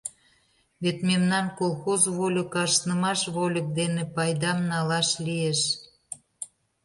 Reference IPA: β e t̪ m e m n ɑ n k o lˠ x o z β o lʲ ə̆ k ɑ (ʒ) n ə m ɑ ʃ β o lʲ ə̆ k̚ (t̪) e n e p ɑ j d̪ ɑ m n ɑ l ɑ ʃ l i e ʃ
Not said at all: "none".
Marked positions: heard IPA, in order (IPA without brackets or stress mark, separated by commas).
ʃ, d̪